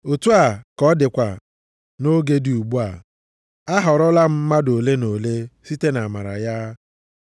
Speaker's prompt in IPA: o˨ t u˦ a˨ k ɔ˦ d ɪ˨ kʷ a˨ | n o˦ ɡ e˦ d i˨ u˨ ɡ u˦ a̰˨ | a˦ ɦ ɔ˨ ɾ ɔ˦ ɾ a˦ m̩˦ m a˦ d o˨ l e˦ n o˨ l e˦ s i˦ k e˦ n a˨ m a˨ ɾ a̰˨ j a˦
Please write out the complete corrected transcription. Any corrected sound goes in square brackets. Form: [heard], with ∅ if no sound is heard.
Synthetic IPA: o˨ t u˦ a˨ k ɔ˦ d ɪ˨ kʷ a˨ | n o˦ ɡ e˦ d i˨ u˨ [ɡ͡b] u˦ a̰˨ | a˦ ɦ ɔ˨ ɾ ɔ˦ [l] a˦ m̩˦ m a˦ d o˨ l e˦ n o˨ l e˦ s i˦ [t] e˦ n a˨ m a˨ ɾ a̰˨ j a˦